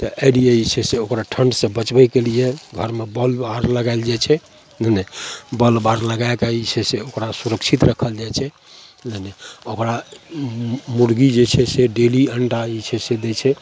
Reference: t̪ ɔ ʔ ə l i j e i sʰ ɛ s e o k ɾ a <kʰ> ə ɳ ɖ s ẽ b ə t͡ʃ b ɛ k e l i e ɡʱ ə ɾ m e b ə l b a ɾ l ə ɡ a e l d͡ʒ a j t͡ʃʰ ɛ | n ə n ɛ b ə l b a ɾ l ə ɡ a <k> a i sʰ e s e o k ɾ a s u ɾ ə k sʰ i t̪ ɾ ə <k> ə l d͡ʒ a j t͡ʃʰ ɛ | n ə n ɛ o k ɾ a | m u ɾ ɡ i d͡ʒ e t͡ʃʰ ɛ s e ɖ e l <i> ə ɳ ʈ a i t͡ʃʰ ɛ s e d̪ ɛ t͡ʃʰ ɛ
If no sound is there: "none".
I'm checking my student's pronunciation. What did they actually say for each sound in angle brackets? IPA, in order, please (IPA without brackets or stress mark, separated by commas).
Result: ʈʰ, k, kʰ, i